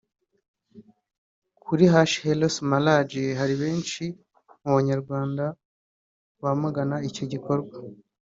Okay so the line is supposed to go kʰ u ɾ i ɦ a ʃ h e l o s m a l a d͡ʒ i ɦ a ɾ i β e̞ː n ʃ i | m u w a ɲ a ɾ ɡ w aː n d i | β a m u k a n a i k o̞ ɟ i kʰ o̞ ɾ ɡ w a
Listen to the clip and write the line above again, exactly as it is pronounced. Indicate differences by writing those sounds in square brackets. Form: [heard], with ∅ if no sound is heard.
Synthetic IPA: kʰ u ɾ i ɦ a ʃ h e l o s m a l a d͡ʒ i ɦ a ɾ i β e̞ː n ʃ i | m u [β] a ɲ a ɾ ɡ w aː n d [a] | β a m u [ɡ] a n a i [c] o̞ ɟ i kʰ o̞ ɾ ɡ w a